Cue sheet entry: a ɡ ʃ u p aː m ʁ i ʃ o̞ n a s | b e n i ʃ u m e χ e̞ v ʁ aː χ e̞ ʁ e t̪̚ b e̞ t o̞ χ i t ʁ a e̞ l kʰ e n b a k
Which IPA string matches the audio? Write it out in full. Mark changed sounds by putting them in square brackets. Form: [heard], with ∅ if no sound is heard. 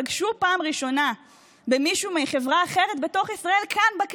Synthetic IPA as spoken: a ɡ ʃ u p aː m ʁ i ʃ o̞ n a [∅] | b e [m] i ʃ u m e χ e̞ v ʁ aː χ e̞ ʁ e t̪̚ b e̞ t o̞ χ i [s] ʁ a e̞ l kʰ [a] n b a k